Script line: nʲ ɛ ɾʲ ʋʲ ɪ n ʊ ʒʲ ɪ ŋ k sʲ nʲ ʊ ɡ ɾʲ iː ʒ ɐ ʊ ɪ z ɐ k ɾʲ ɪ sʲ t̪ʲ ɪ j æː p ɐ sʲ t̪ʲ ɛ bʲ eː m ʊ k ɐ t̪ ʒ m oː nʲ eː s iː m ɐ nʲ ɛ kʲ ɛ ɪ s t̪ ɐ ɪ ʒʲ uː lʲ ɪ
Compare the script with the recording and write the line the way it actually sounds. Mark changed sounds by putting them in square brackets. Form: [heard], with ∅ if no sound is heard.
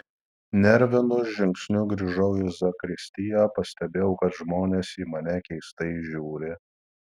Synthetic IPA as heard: nʲ ɛ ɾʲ ʋʲ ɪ n ʊ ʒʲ ɪ ŋ k sʲ nʲ ʊ ɡ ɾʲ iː ʒ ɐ ʊ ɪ z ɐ k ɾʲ ɪ sʲ t̪ʲ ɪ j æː p ɐ sʲ t̪ʲ ɛ bʲ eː [∅] ʊ k ɐ t̪ ʒ m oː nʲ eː s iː m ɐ nʲ ɛ kʲ ɛ ɪ s t̪ ɐ ɪ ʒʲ uː [ɾʲ] ɪ